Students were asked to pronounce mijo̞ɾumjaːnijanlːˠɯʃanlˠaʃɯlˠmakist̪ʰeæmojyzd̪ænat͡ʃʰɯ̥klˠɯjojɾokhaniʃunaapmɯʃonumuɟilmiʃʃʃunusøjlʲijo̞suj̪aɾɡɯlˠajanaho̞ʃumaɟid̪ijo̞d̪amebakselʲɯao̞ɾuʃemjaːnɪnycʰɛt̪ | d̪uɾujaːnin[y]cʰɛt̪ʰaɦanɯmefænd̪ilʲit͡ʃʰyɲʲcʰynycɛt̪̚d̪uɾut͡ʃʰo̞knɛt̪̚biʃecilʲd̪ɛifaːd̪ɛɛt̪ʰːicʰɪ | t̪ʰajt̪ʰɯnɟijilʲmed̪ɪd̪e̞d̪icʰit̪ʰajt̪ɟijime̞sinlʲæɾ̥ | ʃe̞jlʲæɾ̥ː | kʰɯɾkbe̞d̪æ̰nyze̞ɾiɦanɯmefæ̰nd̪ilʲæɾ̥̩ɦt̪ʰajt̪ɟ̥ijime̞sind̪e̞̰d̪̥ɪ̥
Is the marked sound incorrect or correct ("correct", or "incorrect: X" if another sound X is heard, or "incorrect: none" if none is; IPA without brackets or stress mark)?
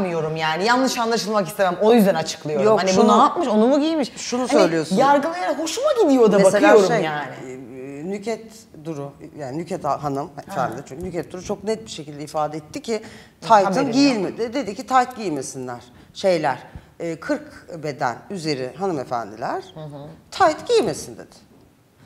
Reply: correct